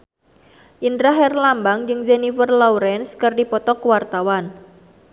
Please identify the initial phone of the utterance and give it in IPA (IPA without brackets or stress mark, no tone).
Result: ʔ